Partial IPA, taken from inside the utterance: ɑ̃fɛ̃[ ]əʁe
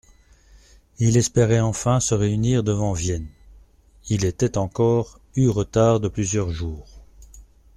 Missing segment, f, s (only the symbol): s